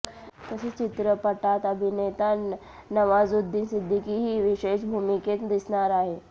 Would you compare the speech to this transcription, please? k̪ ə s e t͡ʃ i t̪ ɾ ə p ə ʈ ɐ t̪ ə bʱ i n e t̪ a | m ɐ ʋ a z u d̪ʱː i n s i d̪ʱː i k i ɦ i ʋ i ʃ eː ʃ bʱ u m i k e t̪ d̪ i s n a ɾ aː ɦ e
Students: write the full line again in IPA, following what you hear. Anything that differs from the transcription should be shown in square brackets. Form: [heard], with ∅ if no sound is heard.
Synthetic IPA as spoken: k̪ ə s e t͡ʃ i t̪ ɾ ə p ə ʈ [a] t̪ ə bʱ i n e t̪ a | [n] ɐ ʋ a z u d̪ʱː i n s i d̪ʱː i k i ɦ i ʋ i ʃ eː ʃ bʱ u m i k e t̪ d̪ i s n a ɾ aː ɦ e